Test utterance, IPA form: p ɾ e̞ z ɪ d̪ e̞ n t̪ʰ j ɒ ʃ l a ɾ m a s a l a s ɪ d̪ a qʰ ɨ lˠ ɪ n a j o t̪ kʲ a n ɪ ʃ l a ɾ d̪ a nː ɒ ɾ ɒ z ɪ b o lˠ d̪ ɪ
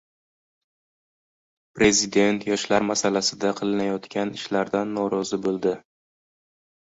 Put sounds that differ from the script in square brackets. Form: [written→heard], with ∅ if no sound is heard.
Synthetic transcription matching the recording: p ɾ e̞ z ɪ d̪ e̞ n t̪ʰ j ɒ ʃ l a ɾ m a s a l a s ɪ d̪ a qʰ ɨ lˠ ɪ n a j [o→ɒ] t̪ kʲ a n ɪ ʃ l a ɾ d̪ a nː ɒ ɾ ɒ z ɪ b o lˠ d̪ ɪ